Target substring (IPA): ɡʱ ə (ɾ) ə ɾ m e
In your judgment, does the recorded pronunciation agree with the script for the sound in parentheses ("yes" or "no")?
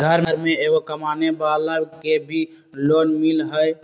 yes